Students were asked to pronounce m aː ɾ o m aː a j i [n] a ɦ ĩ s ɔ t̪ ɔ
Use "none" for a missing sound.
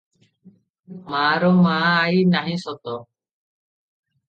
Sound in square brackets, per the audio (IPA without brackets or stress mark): n